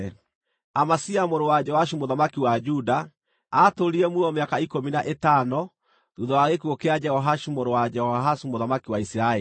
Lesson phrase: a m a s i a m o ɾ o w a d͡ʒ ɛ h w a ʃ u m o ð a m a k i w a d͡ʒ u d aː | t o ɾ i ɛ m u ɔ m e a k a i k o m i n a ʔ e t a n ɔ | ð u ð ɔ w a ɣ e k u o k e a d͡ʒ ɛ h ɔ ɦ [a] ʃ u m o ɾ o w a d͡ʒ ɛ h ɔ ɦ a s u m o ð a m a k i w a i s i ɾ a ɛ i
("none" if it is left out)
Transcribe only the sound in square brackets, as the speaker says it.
a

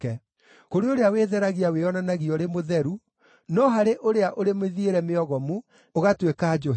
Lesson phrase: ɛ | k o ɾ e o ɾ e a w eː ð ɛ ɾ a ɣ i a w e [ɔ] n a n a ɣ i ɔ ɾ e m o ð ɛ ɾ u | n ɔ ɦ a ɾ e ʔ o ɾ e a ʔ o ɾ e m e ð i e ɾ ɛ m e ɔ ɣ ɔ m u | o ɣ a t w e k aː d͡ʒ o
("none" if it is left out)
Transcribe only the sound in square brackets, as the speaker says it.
ɔ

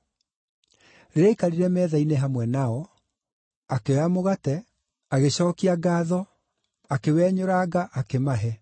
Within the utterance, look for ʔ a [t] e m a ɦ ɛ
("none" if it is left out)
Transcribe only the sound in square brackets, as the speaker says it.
k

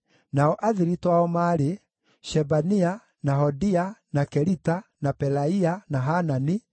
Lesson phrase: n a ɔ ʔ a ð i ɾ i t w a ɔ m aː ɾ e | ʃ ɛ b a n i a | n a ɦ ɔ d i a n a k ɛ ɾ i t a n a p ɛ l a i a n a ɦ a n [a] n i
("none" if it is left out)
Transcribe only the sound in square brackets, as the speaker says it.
a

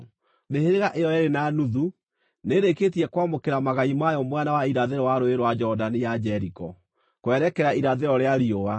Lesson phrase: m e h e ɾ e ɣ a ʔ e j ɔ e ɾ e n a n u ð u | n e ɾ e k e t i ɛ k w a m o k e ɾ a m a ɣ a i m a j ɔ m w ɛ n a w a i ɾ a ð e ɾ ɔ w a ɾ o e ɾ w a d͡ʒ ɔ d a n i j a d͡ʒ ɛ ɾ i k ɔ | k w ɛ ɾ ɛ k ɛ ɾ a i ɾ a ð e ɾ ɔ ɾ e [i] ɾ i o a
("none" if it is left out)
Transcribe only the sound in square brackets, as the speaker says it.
a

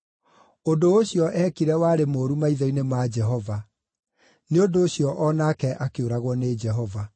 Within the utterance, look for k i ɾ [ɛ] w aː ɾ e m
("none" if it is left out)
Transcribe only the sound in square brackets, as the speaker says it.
ɛ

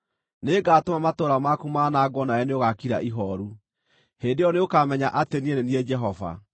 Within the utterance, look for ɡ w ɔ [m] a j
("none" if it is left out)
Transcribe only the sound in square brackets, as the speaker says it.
n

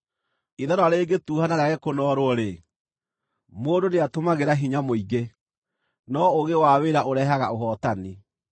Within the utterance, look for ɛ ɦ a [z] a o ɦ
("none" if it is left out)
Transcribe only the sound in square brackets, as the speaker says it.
ɣ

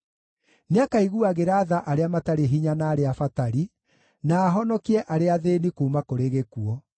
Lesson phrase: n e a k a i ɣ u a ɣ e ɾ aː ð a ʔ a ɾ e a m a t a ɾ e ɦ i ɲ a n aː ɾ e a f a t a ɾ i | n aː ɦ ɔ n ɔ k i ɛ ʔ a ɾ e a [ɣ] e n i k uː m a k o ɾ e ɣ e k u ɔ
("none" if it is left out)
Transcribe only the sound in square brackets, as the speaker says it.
ð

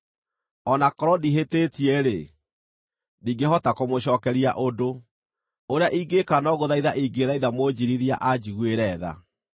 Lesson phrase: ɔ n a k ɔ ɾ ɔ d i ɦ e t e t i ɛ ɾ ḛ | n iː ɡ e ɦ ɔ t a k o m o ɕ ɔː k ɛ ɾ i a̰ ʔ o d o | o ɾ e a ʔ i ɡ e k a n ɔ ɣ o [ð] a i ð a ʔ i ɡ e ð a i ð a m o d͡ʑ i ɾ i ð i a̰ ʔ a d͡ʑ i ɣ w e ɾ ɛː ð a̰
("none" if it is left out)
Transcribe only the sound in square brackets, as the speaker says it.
ð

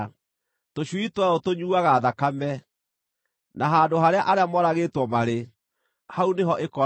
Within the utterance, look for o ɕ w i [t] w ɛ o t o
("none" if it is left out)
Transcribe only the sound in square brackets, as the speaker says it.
t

